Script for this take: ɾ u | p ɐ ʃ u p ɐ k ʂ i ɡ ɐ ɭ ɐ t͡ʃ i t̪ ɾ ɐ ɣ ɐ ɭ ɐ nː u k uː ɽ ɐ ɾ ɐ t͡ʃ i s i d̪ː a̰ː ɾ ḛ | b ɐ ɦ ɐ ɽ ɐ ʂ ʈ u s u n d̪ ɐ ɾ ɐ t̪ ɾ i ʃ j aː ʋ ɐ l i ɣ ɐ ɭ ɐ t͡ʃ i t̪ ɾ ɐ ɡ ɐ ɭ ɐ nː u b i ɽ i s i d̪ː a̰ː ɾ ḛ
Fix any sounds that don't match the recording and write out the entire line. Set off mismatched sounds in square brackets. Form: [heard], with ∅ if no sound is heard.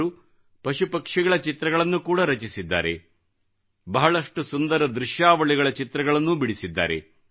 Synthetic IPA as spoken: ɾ u | p ɐ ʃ u p ɐ k ʂ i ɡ ɐ ɭ ɐ t͡ʃ i t̪ ɾ ɐ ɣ ɐ ɭ ɐ nː u k uː ɽ ɐ ɾ ɐ t͡ʃ i s i d̪ː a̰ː ɾ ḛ | b ɐ ɦ ɐ [ɭ] ɐ ʂ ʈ u s u n d̪ ɐ ɾ ɐ [d̪] ɾ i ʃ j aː ʋ ɐ [ɭ] i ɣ ɐ ɭ ɐ t͡ʃ i t̪ ɾ ɐ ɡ ɐ ɭ ɐ nː u b i ɽ i s i d̪ː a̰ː ɾ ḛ